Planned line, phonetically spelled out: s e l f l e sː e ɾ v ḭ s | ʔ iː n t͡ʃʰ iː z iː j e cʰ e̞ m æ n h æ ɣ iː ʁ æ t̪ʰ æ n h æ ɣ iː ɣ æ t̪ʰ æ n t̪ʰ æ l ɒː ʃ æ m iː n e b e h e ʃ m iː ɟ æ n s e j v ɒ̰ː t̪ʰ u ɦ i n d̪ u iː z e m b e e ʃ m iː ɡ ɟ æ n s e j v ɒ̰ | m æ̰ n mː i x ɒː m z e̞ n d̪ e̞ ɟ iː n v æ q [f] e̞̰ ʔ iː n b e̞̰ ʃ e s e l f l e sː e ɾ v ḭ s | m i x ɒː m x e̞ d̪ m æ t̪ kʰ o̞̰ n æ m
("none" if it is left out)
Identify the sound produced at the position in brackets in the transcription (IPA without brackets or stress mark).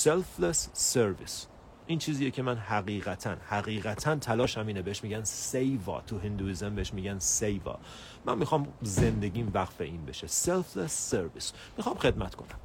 f